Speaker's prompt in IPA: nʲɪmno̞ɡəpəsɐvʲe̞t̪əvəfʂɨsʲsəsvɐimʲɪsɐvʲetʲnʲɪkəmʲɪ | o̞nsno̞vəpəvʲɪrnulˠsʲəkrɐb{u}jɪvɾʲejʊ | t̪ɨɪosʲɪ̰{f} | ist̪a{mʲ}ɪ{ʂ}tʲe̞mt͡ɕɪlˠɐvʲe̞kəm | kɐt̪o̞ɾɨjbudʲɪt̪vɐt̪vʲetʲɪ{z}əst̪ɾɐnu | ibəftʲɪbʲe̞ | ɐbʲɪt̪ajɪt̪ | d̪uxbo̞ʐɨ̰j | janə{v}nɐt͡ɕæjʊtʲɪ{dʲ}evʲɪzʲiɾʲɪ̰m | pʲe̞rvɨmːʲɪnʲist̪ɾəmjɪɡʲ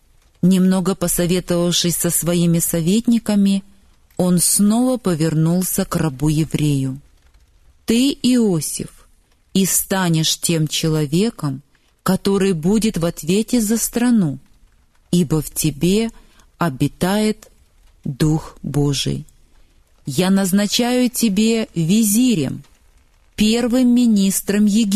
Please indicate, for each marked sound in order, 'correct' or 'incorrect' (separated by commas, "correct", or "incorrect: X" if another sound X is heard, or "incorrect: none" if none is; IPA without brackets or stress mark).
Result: correct, correct, incorrect: nʲ, correct, correct, incorrect: z, incorrect: bʲ